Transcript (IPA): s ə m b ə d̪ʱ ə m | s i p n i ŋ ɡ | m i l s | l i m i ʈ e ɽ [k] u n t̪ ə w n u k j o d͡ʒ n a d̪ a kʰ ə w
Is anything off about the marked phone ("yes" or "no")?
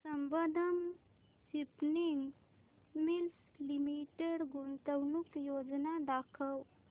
yes